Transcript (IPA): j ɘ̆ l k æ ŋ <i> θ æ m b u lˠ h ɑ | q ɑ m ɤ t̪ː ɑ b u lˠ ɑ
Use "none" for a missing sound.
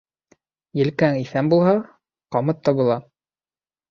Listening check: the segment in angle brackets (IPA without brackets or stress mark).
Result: i